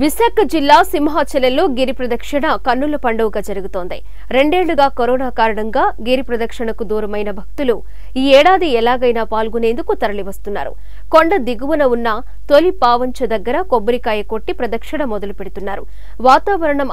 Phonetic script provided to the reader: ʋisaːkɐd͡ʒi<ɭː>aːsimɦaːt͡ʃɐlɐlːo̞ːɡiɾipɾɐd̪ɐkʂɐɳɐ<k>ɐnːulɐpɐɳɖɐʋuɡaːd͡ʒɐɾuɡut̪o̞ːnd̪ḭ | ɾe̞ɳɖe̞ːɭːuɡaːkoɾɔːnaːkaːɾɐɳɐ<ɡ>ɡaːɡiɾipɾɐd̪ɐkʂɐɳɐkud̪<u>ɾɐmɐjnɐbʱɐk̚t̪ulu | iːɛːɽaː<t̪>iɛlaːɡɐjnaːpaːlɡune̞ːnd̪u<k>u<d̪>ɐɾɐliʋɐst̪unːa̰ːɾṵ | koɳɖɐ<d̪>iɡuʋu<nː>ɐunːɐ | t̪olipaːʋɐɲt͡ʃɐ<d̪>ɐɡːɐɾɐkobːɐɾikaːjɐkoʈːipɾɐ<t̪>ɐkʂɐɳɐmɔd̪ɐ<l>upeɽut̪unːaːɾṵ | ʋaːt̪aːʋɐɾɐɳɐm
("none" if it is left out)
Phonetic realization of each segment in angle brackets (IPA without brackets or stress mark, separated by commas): lː, k, ŋ, uː, d̪, k, t̪, d̪, n, d̪, d̪, l